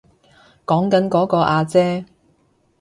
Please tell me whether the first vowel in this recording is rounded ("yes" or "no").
yes